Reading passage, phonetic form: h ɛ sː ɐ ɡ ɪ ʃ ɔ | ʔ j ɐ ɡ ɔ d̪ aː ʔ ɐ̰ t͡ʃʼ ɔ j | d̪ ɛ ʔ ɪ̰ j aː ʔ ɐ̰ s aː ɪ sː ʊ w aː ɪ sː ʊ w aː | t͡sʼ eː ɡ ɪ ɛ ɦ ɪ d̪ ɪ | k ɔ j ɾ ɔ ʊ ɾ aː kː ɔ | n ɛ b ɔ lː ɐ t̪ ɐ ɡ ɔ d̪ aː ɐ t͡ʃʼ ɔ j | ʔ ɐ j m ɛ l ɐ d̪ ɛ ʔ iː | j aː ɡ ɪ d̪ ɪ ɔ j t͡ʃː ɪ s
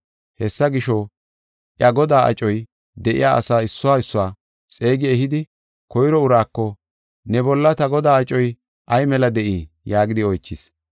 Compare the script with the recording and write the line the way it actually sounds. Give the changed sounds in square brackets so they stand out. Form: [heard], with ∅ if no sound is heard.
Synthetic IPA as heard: h ɛ sː ɐ ɡ ɪ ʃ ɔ | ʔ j ɐ ɡ ɔ d̪ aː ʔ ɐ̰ t͡ʃʼ ɔ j | d̪ ɛ ʔ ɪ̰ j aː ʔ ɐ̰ s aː ɪ sː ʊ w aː ɪ sː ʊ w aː | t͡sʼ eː ɡ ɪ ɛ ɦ ɪ d̪ ɪ | k ɔ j ɾ ɔ ʊ ɾ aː kː ɔ | n ɛ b ɔ lː ɐ t̪ ɐ ɡ ɔ d̪ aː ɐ t͡ʃʼ ɔ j | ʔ ɐ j m ɛ l ɐ d̪ ɛ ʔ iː | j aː ɡ ɪ d̪ ɪ ɔ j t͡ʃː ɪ s